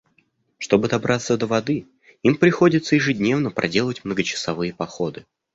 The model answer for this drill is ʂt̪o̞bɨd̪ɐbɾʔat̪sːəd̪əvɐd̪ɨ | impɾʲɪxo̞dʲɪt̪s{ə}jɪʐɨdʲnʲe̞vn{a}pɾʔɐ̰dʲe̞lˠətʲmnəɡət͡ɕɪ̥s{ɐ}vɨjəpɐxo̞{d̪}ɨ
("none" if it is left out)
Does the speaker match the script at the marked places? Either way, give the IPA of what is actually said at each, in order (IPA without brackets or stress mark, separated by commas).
ə, ə, ɐ, d̪